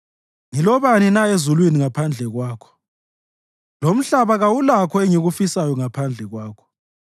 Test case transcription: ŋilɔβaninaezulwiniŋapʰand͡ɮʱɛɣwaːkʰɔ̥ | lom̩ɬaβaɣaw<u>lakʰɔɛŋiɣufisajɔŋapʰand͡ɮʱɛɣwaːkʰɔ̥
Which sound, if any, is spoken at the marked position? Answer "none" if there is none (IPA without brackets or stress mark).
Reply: u